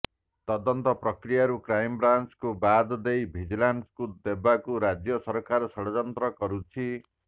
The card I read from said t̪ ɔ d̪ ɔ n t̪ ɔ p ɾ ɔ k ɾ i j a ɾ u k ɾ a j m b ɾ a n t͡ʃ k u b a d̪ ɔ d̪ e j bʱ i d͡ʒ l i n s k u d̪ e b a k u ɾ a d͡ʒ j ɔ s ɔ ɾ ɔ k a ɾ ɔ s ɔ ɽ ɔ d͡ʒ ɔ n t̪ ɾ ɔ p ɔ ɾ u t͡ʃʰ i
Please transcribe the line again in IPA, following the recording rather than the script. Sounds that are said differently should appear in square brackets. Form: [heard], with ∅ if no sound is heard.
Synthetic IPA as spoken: t̪ ɔ d̪ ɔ n t̪ ɔ p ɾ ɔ k ɾ i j a ɾ u k ɾ a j m b ɾ a n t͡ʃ k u b a d̪ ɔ d̪ e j bʱ i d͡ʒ l [a] n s k u d̪ e b a k u ɾ a d͡ʒ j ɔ s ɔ ɾ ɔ k a ɾ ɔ s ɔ ɽ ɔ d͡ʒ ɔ n t̪ ɾ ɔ [k] ɔ ɾ u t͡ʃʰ i